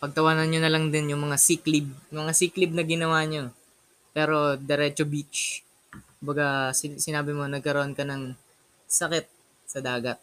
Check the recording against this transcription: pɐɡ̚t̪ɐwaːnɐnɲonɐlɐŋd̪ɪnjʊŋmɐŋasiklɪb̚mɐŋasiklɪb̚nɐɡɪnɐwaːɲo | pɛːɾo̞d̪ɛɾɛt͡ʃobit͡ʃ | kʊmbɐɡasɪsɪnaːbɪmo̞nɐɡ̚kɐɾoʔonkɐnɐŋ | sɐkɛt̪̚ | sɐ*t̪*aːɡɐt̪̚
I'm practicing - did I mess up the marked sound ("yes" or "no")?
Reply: yes